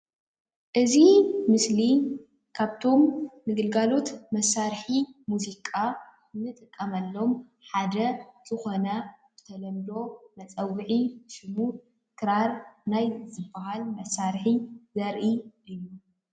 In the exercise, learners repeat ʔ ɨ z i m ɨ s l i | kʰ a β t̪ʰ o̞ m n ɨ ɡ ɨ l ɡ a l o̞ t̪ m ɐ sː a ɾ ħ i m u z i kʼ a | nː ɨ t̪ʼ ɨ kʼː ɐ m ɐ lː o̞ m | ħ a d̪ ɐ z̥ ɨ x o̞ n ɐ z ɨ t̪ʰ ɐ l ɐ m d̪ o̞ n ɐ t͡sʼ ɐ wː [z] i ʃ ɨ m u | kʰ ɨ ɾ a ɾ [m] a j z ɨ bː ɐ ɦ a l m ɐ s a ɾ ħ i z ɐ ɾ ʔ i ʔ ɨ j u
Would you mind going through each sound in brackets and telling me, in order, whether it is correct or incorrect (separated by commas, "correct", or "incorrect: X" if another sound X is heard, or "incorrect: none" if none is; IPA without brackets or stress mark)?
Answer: incorrect: ʕ, incorrect: n